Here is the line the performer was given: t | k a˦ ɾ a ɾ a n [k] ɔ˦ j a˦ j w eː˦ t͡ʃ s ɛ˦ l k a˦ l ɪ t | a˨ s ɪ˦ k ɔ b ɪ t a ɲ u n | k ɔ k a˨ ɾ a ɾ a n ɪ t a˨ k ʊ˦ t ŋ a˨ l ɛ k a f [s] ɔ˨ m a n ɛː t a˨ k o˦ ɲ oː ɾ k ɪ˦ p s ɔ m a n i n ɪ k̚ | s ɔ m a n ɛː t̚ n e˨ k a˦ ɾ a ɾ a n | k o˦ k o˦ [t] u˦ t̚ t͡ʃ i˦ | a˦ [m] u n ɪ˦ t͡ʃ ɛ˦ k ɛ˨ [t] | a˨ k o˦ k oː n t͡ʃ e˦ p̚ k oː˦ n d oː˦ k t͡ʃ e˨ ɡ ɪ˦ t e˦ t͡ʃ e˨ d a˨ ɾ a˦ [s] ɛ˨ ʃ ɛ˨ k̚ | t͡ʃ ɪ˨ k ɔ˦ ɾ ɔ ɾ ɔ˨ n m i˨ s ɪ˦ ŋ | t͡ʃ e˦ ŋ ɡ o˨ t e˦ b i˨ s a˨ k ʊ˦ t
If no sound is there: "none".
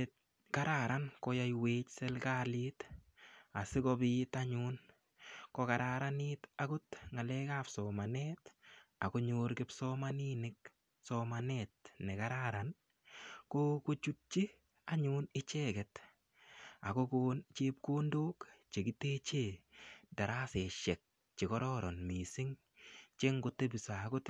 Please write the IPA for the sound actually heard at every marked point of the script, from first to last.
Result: k, s, t͡ʃ, ɲ, t, s

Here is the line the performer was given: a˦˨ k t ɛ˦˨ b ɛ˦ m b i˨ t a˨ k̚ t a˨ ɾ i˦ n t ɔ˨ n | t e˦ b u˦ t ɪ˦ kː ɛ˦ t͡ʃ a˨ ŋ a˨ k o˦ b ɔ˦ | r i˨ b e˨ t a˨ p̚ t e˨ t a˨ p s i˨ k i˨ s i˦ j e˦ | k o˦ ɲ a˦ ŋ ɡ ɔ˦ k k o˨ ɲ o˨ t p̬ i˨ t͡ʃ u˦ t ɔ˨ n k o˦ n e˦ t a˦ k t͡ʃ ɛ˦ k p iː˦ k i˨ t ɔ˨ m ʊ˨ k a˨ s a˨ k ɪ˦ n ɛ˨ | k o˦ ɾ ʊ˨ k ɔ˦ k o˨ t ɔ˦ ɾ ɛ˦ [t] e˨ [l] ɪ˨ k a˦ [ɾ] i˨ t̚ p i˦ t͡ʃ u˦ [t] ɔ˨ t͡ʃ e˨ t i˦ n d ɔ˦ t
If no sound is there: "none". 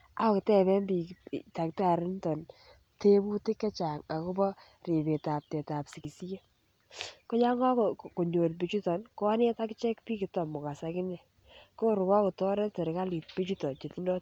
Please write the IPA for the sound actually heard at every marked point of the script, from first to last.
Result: t, ɾ, l, t

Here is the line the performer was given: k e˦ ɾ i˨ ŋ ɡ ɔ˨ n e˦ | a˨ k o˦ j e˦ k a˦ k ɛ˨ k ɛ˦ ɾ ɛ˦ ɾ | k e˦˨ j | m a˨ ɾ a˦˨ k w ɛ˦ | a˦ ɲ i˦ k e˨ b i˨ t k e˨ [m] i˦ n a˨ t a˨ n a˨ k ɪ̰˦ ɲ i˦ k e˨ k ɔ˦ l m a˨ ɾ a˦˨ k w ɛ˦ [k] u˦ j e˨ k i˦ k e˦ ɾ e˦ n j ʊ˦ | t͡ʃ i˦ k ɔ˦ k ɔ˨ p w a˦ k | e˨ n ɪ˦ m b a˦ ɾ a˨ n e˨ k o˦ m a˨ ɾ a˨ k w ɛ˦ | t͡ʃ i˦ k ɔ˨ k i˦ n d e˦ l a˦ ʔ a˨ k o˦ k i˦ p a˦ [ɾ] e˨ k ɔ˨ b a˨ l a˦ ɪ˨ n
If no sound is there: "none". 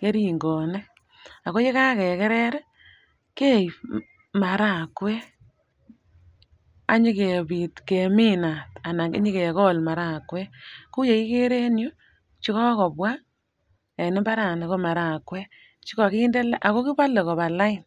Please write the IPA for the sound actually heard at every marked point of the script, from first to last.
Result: m, k, l

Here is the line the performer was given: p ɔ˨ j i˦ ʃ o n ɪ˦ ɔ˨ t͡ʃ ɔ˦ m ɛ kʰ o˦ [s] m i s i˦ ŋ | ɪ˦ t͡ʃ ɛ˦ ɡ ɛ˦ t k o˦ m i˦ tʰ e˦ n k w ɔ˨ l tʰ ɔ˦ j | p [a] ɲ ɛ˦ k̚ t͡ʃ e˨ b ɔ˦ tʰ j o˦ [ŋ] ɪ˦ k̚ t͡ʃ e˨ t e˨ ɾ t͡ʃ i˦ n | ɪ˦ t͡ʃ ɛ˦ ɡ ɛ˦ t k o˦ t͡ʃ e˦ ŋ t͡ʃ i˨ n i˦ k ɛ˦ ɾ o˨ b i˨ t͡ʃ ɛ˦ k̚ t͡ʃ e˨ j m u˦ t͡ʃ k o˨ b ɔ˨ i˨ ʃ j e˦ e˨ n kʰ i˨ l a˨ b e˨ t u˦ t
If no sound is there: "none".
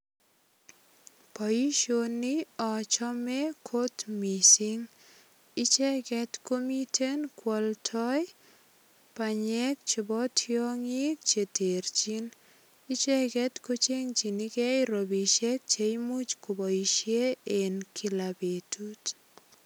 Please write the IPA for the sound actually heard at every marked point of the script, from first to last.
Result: t, a, ŋ

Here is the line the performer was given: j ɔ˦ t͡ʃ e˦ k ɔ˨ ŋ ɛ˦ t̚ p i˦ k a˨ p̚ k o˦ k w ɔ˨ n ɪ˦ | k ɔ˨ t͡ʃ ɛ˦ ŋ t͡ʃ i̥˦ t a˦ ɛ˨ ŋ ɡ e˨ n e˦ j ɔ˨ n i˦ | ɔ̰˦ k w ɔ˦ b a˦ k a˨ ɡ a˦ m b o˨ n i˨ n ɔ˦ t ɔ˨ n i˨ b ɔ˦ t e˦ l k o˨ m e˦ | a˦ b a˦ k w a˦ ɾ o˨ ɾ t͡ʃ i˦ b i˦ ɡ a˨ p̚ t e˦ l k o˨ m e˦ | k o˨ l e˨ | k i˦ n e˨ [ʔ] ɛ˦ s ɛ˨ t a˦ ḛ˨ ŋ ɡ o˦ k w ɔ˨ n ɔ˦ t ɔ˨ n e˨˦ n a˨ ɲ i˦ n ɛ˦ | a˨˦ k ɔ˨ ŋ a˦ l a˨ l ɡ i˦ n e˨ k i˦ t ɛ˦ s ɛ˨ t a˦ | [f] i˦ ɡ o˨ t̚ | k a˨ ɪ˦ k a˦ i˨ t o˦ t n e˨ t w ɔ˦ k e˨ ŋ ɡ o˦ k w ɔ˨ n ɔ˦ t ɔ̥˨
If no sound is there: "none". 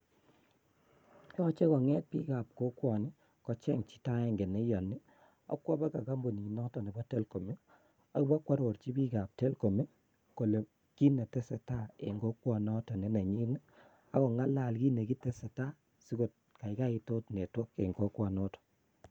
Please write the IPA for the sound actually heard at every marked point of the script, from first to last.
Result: t, s

